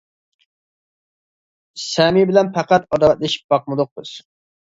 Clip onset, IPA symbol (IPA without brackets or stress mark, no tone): s